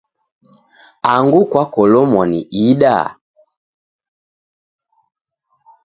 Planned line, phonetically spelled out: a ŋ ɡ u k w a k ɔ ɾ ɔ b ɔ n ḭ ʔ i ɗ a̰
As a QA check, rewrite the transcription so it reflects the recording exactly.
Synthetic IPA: a ŋ ɡ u k w a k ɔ l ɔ m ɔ n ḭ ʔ i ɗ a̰